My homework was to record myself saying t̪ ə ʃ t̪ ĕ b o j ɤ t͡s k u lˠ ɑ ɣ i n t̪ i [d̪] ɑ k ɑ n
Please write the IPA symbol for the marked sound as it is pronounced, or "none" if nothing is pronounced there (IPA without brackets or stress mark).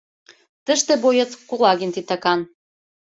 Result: t̪